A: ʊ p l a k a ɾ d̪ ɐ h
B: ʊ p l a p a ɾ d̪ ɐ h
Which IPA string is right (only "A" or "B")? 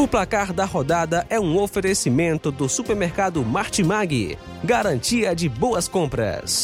A